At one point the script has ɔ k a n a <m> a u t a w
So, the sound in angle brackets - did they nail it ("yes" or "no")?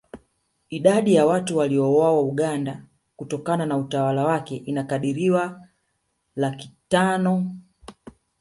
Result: no